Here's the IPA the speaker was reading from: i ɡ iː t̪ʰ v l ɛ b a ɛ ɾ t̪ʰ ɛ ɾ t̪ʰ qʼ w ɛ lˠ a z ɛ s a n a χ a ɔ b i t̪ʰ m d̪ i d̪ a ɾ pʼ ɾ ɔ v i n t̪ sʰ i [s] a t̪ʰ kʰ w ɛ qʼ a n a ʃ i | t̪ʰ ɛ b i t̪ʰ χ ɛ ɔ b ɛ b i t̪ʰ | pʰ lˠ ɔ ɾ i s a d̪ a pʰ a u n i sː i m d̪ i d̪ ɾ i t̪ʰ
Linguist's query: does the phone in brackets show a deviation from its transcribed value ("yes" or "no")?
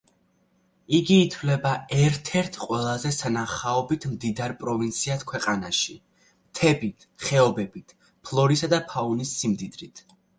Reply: yes